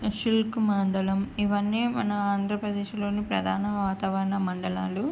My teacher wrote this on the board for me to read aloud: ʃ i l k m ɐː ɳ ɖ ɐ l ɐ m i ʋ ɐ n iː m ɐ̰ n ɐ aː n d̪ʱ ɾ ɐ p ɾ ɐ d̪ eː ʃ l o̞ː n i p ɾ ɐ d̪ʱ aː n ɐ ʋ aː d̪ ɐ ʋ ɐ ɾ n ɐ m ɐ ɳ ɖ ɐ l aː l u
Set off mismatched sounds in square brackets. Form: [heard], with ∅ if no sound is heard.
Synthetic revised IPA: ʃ i l k m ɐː ɳ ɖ ɐ l ɐ m i ʋ ɐ [nː] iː m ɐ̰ n ɐ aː n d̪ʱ ɾ ɐ p ɾ ɐ d̪ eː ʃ l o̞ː n i p ɾ ɐ d̪ʱ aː n ɐ ʋ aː [t̪] ɐ ʋ ɐ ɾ n ɐ m ɐ ɳ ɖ ɐ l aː l u